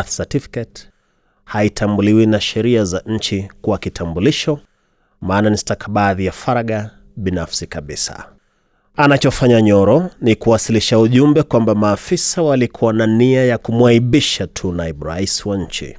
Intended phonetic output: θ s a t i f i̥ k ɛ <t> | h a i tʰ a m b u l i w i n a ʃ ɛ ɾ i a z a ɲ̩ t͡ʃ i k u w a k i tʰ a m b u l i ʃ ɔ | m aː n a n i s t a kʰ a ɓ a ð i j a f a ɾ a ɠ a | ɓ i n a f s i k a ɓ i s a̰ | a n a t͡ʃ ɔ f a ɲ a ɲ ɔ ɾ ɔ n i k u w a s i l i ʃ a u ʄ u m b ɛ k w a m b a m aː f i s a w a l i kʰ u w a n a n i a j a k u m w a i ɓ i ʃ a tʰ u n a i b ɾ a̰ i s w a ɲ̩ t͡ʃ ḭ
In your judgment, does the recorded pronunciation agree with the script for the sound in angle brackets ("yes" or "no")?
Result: yes